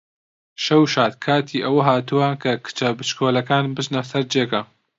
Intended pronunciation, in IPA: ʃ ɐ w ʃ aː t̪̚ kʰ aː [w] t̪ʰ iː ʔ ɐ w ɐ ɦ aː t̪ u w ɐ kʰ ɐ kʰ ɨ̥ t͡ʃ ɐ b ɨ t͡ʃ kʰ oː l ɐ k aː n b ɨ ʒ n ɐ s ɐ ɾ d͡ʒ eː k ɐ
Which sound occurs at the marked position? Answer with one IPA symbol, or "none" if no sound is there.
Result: none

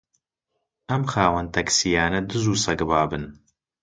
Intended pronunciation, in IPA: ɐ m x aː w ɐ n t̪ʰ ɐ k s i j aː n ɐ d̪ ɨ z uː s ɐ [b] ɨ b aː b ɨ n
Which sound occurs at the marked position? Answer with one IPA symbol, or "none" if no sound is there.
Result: ɡ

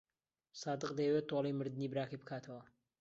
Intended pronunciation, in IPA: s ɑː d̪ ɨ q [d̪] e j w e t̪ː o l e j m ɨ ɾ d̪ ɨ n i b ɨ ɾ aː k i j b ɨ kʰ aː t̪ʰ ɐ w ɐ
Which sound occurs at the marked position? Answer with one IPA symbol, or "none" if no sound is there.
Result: d̪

